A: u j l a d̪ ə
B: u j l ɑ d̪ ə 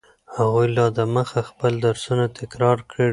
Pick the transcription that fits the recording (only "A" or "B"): B